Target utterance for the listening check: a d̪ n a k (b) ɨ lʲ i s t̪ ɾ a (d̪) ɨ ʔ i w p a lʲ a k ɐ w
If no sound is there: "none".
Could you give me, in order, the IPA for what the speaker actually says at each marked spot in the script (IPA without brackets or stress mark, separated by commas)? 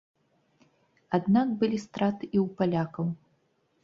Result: b, t̪